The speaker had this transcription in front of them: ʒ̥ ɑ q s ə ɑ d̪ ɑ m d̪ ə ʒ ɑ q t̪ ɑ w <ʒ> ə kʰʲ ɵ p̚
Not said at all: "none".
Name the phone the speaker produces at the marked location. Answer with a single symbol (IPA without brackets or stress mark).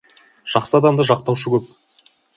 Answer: ʃ